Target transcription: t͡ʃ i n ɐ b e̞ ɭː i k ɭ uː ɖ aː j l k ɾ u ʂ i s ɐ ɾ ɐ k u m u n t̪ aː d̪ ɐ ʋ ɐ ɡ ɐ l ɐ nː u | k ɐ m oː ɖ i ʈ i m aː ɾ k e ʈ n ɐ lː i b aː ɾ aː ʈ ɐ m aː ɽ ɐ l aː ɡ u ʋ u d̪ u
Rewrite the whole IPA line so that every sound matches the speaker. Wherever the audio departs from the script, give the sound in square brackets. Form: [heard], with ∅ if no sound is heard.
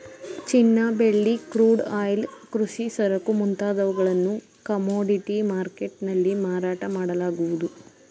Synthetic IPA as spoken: t͡ʃ i [nː] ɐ b e̞ ɭː i k [ɾ] uː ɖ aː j l k ɾ u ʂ i s ɐ ɾ ɐ k u m u n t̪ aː d̪ ɐ ʋ ɐ ɡ ɐ [ɭ] ɐ nː u | k ɐ m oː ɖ i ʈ i m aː ɾ k e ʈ n ɐ lː i [m] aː ɾ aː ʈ ɐ m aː ɽ ɐ l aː ɡ u ʋ u d̪ u